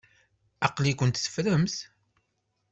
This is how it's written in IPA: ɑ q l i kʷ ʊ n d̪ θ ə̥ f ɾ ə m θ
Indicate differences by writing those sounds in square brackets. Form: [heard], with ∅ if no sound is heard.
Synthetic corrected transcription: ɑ q l i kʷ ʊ n [t̪] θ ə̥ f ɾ ə m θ